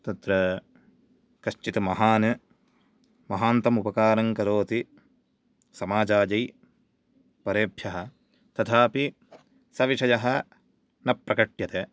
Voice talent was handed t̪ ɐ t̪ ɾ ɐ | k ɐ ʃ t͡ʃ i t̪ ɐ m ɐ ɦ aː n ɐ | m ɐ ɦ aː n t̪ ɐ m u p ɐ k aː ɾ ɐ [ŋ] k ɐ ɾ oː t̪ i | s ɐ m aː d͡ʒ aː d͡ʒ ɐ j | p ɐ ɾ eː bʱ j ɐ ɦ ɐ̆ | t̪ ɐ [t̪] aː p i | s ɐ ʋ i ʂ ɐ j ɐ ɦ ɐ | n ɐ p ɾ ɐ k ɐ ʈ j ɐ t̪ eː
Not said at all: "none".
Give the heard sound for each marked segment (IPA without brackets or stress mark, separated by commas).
ŋ, t̪ʰ